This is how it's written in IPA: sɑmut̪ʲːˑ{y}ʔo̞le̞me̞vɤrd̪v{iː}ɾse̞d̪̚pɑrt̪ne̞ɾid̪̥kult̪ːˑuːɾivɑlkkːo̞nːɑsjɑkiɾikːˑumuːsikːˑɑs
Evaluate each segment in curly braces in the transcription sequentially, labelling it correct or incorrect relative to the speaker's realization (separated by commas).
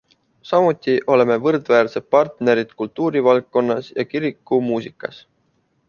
incorrect, incorrect